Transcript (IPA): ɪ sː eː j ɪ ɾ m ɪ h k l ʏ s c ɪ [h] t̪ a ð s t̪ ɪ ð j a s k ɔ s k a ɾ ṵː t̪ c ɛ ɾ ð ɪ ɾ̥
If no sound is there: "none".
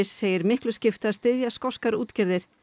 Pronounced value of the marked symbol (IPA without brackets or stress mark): f